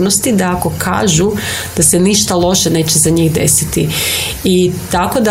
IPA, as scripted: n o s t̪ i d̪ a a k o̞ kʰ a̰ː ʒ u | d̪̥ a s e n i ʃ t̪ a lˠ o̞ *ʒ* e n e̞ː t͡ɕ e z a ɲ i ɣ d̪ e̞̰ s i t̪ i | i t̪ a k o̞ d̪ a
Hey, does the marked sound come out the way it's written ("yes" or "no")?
no